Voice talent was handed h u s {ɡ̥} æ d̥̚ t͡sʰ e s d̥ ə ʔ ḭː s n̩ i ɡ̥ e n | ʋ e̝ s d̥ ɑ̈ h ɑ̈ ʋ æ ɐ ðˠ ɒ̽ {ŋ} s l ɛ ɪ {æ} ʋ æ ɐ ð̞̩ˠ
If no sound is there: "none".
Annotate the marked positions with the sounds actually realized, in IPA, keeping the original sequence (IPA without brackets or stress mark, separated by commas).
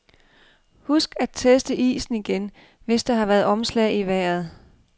ɡ̥, m, i